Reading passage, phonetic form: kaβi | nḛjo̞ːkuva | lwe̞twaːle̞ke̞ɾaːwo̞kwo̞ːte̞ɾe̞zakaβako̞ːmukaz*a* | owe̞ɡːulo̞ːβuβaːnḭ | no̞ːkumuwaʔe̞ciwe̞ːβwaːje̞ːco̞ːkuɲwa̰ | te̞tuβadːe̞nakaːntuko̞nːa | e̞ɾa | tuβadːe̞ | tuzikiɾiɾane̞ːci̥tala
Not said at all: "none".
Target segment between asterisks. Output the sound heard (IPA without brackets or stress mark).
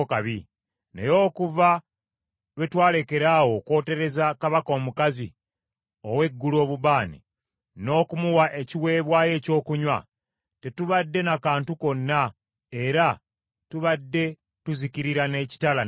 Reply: i